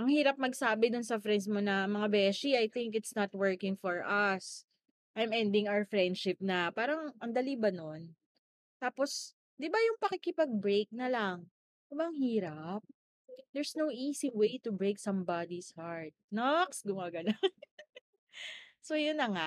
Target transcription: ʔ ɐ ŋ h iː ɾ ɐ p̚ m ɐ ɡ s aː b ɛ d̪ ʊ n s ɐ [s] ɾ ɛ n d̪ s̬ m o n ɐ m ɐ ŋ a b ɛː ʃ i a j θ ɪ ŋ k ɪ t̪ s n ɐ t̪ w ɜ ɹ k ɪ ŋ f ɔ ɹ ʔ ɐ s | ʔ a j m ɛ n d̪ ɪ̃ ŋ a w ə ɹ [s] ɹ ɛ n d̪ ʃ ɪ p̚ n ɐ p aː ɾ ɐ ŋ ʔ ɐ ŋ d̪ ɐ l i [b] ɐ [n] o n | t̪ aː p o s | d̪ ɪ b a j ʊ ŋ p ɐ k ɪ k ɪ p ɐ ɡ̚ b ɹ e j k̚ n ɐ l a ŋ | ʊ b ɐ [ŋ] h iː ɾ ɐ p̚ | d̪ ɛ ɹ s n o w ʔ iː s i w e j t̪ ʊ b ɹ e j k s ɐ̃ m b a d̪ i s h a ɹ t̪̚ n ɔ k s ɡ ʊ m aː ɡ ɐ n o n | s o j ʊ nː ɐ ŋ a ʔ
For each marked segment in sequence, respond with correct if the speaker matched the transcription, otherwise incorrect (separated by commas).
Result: incorrect, incorrect, correct, correct, correct